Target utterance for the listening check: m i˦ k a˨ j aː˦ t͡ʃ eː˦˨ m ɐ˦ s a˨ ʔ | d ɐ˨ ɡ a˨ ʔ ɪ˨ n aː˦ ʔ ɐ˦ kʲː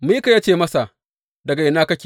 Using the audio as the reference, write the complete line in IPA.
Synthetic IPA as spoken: m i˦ k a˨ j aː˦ t͡ʃ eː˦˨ m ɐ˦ s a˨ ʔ | d ɐ˨ ɡ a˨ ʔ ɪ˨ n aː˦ k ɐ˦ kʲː

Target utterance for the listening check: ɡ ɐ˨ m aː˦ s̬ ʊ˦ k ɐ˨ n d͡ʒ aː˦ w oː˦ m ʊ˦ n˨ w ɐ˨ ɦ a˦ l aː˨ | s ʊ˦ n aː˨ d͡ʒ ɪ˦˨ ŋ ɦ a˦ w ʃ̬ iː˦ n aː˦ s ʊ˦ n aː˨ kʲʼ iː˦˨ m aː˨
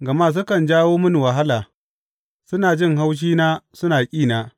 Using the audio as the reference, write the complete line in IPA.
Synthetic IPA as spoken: ɡ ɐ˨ m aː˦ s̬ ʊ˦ k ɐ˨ n d͡ʒ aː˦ w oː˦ m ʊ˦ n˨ w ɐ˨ ɦ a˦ l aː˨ | s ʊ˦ n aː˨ d͡ʒ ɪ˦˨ ŋ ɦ a˦ w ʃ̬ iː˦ n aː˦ s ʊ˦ n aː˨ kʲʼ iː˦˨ n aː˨

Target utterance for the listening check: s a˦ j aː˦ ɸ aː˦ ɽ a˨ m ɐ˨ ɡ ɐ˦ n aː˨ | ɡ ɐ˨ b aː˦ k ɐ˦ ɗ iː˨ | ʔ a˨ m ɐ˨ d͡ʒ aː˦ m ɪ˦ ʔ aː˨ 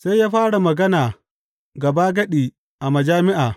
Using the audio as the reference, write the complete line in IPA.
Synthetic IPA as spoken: s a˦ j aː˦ ɸ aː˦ ɽ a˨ m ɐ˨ ɡ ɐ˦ n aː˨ | ɡ ɐ˨ b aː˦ ɡ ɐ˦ ɗ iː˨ | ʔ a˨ m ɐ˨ d͡ʒ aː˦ m ɪ˦ ʔ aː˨

